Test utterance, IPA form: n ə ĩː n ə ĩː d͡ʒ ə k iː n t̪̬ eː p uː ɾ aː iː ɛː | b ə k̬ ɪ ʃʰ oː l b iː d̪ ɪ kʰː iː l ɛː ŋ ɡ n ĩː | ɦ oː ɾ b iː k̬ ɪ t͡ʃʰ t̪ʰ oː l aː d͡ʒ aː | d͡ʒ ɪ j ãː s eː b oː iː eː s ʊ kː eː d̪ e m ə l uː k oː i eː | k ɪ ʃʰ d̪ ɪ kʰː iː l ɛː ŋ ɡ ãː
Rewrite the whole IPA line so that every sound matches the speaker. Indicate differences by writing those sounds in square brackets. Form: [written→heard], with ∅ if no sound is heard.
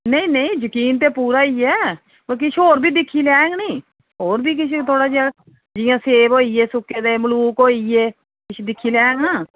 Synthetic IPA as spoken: n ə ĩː n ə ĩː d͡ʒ ə k iː n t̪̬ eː p uː ɾ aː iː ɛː | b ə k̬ ɪ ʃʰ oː [l→ɾ] b iː d̪ ɪ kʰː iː l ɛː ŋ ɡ n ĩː | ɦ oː ɾ b iː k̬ ɪ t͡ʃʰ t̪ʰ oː [l→ɽ] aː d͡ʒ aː | d͡ʒ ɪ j ãː s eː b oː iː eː s ʊ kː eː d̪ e m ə l uː k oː i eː | k ɪ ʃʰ d̪ ɪ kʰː iː l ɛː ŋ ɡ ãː